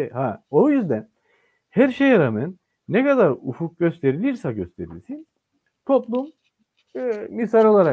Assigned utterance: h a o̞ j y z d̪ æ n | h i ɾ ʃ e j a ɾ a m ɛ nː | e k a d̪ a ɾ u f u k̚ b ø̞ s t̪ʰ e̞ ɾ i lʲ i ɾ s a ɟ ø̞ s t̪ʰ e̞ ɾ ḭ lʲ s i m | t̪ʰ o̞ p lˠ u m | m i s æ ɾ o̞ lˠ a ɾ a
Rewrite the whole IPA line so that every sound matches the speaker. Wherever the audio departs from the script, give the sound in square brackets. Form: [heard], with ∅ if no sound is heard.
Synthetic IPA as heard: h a o̞ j y z d̪ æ n | h [æ] ɾ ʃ e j a ɾ a m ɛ nː | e k a d̪ a ɾ u f u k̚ [ɟ] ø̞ s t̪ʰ e̞ ɾ i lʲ i ɾ s a ɟ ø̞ s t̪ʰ e̞ ɾ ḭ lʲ s i [n] | t̪ʰ o̞ p lˠ u m | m i s [a] ɾ o̞ lˠ a ɾ a